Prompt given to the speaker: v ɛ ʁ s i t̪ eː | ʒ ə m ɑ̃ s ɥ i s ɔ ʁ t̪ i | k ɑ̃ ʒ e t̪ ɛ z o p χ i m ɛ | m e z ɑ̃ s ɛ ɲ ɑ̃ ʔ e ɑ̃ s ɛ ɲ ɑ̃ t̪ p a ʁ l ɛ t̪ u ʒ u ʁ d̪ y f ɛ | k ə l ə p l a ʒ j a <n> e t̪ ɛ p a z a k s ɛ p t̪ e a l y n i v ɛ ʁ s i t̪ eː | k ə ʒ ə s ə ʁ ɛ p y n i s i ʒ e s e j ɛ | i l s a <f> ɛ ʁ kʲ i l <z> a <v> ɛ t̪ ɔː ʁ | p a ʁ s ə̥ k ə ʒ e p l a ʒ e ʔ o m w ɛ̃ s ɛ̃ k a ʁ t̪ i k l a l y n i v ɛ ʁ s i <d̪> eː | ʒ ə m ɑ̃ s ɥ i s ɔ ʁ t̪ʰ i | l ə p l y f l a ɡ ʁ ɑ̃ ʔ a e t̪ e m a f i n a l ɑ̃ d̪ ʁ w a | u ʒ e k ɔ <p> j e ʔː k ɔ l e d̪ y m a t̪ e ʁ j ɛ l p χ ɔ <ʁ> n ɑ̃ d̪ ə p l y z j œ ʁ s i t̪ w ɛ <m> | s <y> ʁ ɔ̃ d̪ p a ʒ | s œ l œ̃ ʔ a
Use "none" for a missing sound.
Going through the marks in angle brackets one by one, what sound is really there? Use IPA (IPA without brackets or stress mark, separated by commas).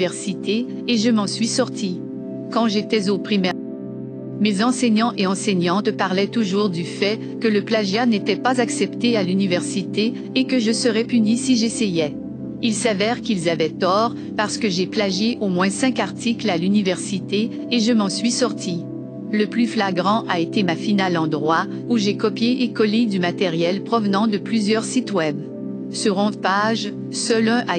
n, v, z, v, t̪, p, v, b, y